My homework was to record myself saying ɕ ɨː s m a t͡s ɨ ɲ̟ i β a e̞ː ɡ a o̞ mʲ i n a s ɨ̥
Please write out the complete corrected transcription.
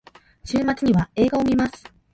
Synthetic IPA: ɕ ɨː m a t͡s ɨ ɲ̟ i β a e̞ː ɡ a o̞ mʲ i m a s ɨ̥